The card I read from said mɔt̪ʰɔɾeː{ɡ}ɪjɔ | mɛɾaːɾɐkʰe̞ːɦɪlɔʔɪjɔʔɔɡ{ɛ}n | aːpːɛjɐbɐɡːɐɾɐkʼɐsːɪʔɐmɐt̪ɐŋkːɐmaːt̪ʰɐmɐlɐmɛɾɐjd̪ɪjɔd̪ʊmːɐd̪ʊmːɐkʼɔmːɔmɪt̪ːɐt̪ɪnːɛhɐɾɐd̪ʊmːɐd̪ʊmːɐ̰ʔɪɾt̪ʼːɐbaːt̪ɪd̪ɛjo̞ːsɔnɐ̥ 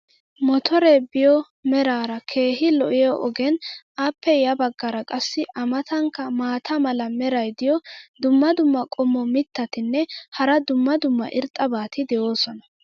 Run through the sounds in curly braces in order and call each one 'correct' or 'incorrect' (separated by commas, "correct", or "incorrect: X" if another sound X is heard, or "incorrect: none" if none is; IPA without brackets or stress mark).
incorrect: b, correct